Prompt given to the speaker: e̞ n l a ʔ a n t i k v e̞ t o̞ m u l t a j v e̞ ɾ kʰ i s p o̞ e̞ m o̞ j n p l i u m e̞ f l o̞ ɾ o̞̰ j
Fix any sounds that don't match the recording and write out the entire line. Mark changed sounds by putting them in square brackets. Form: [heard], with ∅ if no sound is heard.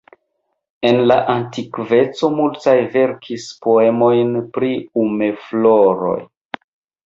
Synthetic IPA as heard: e̞ n l a ʔ a n t i k v e̞ [t͡s] o̞ m u l t a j v e̞ ɾ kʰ i s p o̞ e̞ m o̞ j n p [ɾ] i u m e̞ f l o̞ ɾ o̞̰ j